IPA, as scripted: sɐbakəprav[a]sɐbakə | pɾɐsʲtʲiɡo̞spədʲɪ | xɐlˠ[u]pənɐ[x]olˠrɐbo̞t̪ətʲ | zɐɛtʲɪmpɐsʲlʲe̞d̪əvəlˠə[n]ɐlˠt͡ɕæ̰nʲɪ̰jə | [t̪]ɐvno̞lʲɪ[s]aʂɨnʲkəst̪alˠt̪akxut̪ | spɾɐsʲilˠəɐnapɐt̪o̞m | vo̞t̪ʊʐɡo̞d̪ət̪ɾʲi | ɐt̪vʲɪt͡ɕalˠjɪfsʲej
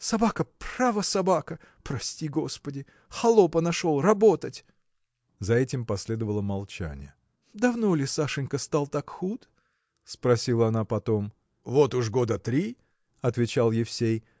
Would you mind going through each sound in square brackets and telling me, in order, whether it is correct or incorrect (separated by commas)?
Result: incorrect, incorrect, incorrect, incorrect, incorrect, correct